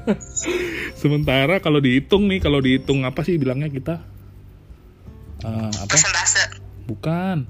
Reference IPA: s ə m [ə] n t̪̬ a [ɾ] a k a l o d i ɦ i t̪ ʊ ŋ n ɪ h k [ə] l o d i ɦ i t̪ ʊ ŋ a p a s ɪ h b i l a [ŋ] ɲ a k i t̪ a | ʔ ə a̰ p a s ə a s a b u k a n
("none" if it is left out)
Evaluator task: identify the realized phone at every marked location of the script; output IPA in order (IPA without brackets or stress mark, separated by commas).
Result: ə, ɾ, a, ŋ